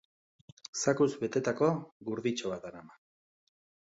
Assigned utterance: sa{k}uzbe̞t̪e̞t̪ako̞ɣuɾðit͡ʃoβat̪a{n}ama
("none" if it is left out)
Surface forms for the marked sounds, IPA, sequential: k, n

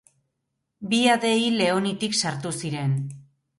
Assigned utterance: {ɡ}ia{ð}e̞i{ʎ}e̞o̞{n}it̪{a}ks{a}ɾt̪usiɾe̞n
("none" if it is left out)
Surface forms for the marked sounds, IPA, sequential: b, ð, l, n, i, a

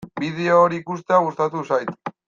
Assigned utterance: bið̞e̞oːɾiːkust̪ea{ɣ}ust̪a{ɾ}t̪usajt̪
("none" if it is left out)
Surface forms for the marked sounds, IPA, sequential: ɣ, none

